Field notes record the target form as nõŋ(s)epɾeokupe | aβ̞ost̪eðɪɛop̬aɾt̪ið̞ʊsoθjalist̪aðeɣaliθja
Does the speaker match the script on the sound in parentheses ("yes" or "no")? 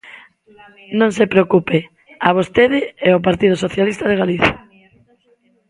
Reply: yes